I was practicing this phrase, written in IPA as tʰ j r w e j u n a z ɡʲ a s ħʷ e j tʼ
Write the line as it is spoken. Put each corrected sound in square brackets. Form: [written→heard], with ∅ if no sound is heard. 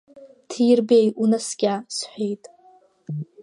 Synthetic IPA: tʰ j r [w→b] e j u n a [z→s] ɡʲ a s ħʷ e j tʼ